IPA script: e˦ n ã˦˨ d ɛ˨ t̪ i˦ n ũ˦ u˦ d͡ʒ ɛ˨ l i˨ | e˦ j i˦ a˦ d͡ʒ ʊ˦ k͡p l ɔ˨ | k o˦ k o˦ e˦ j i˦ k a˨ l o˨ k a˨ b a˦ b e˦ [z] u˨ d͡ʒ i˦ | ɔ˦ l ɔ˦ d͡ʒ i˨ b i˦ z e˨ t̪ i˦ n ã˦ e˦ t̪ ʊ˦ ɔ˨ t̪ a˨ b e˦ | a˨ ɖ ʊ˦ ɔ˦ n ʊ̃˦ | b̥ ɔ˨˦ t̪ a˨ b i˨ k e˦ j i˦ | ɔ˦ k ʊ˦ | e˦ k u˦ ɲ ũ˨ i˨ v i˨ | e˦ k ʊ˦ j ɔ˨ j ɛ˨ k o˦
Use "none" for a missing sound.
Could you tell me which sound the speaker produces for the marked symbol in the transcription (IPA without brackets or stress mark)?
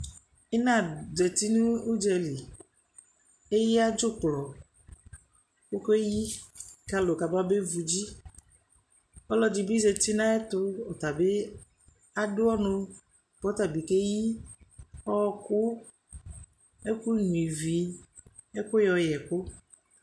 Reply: v